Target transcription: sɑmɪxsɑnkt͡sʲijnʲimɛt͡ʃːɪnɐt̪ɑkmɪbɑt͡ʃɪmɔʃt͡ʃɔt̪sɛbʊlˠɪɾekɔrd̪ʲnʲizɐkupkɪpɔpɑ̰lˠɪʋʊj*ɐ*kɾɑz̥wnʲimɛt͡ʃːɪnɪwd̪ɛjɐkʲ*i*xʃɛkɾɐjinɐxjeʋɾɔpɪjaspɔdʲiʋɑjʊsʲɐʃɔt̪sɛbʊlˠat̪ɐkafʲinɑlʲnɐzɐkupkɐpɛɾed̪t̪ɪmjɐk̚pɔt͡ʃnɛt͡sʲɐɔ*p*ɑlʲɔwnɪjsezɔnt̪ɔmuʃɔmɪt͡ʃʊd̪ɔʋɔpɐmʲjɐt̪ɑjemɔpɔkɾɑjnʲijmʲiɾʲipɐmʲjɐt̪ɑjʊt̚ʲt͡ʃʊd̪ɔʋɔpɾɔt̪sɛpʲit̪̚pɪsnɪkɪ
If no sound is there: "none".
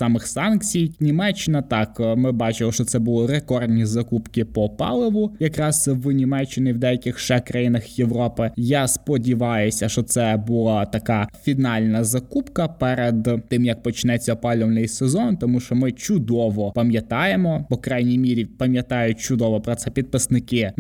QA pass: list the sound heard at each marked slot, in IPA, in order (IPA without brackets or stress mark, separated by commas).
ɐ, ɪ, p